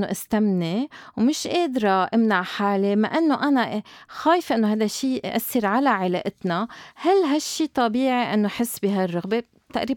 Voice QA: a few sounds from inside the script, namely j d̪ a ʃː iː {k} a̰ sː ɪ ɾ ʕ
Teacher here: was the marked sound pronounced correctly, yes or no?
no